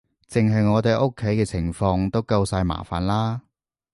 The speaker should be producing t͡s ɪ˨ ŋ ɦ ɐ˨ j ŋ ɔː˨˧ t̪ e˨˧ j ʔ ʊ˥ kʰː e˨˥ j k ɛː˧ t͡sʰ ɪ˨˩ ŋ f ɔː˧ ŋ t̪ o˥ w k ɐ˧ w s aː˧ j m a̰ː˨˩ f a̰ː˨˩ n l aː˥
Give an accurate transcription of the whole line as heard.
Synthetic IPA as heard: t͡s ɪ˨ ŋ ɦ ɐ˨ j ŋ ɔː˨˧ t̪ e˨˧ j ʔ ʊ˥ kʰː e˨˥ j k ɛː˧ t͡sʰ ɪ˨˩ ŋ f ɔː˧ ŋ t̪ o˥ w k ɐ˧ w s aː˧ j m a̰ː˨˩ f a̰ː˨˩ n l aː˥